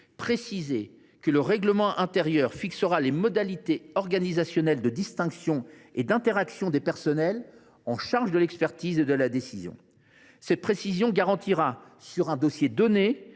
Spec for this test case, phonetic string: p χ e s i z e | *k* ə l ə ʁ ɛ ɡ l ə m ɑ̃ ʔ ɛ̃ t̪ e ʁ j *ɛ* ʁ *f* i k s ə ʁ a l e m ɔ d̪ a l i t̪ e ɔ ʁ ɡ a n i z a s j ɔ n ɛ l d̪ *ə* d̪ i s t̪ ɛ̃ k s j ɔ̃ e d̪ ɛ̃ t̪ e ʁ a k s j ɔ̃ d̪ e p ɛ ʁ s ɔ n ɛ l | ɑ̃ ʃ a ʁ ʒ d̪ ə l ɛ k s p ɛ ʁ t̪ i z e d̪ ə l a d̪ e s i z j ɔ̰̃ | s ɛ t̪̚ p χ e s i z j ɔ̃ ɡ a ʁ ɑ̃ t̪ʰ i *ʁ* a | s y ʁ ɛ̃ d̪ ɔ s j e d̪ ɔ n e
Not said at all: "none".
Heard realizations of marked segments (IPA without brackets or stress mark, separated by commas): k, œ, f, ə, ʁ